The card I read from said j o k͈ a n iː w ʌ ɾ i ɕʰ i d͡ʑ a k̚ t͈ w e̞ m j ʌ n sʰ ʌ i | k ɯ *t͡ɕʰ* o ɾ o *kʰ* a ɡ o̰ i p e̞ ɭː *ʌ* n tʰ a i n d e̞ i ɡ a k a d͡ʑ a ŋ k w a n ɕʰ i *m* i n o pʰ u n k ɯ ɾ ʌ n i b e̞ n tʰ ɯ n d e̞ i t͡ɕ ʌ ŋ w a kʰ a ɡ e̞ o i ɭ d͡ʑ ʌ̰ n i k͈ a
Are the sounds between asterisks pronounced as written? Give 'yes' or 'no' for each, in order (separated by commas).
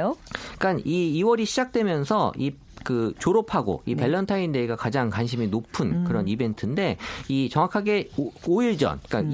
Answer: no, no, yes, yes